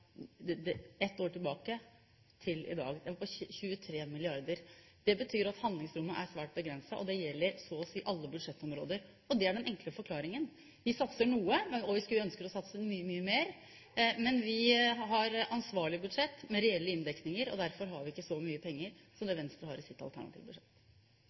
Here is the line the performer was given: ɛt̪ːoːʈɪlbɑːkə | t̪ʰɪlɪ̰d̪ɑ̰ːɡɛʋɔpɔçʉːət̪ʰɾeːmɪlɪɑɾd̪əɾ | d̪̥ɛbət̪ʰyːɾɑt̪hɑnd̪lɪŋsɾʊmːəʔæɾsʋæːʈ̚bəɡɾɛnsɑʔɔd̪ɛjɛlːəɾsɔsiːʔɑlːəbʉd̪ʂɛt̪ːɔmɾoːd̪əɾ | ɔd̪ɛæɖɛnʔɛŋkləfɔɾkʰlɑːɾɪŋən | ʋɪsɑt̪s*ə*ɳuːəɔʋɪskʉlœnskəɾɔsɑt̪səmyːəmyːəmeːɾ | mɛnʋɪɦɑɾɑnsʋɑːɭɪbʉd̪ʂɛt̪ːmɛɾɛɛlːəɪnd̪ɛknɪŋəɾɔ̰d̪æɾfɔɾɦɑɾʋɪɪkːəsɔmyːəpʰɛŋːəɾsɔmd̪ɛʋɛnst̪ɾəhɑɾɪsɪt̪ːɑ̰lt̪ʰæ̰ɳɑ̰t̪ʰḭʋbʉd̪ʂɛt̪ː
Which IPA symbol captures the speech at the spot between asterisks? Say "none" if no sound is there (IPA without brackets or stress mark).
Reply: ə